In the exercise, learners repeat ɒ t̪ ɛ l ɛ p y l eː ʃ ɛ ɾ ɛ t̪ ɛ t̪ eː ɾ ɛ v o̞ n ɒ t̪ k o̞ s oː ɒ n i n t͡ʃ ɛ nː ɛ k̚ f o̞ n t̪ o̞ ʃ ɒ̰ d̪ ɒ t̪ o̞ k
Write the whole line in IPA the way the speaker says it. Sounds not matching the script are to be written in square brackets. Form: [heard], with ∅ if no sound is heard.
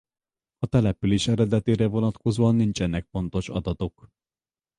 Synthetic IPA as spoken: ɒ t̪ ɛ l ɛ p y l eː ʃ ɛ ɾ ɛ [d̪] ɛ t̪ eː ɾ ɛ v o̞ n ɒ t̪ k o̞ [z] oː ɒ [nː] i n t͡ʃ ɛ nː ɛ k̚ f o̞ n t̪ o̞ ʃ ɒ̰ d̪ ɒ t̪ o̞ k